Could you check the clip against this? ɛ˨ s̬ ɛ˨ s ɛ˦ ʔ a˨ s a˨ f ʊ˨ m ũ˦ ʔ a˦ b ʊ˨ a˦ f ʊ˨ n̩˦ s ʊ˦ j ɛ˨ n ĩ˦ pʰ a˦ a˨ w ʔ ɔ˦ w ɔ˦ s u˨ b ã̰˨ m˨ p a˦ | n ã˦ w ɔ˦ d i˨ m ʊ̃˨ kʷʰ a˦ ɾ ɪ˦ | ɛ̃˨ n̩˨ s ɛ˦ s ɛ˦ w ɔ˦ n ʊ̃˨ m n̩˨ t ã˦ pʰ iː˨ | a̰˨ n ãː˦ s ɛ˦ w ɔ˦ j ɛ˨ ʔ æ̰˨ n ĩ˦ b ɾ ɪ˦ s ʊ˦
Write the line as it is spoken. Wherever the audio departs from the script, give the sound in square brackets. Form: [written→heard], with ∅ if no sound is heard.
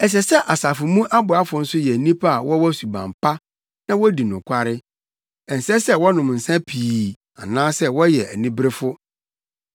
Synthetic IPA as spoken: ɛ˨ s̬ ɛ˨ s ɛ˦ ʔ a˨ s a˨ f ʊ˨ m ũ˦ ʔ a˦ b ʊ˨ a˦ f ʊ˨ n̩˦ s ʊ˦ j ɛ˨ n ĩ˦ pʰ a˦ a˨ w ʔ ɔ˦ w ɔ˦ s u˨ b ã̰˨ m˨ p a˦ | n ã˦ w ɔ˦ d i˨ [m→n] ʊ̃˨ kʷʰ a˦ ɾ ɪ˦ | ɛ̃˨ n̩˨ s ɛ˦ s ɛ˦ w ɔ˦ n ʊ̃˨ m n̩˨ [t→s] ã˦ pʰ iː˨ | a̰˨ n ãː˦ s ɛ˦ w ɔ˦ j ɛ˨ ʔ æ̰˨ n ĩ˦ b ɾ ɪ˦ [s→f] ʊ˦